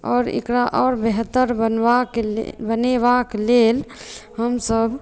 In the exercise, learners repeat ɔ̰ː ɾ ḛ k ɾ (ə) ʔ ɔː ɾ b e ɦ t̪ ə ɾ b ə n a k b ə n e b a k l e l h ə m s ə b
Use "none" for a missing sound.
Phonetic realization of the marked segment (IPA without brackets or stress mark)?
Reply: a